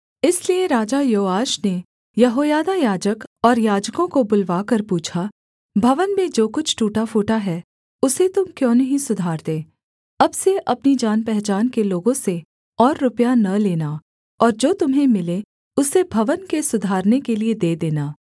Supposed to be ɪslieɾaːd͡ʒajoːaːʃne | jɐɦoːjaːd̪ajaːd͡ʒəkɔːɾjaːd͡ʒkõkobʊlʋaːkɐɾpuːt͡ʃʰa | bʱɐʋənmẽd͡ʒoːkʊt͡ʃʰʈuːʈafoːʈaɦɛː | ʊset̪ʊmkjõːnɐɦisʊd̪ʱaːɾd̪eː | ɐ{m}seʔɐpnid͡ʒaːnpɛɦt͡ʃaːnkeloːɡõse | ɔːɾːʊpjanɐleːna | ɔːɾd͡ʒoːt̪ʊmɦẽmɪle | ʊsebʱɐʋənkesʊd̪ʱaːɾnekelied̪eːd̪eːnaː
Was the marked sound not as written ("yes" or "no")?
yes